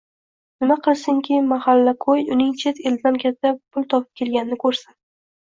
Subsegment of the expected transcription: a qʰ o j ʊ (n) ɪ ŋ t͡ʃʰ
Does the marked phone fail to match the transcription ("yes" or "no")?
no